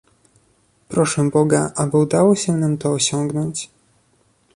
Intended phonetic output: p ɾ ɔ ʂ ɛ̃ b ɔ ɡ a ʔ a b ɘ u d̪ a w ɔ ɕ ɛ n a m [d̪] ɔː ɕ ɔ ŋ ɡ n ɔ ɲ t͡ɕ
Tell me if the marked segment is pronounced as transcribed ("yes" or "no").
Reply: no